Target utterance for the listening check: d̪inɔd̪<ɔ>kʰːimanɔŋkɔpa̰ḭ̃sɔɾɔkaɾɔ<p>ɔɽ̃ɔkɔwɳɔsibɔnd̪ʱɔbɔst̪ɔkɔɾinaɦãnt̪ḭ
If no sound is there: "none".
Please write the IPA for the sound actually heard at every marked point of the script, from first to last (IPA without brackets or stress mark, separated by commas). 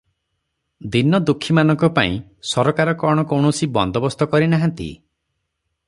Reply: u, k